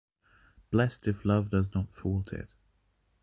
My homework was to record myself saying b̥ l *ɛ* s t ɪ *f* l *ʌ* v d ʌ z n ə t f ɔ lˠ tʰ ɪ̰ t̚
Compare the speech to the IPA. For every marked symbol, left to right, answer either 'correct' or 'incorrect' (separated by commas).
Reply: correct, correct, correct